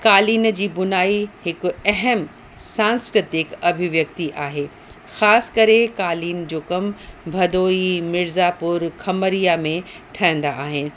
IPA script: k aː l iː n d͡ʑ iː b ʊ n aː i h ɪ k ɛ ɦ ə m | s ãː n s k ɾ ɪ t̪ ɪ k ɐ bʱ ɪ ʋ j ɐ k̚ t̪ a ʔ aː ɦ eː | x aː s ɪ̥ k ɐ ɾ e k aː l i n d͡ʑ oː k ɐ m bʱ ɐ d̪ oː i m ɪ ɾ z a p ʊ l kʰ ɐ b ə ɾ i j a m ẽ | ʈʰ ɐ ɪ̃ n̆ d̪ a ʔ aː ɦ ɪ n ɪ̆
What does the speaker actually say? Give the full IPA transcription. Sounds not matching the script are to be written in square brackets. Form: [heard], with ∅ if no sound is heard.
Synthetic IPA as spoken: k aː l iː n d͡ʑ iː b ʊ n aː i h ɪ k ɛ ɦ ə m | s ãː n s k ɾ ɪ t̪ ɪ k ɐ bʱ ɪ ʋ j ɐ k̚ t̪ [i] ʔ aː ɦ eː | x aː s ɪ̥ k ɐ ɾ e k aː l [iː] n d͡ʑ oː k ɐ m bʱ ɐ d̪ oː i m ɪ ɾ z a p ʊ [ɾ] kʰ ɐ [m] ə ɾ i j a m ẽ | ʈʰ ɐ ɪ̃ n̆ d̪ a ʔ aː ɦ ɪ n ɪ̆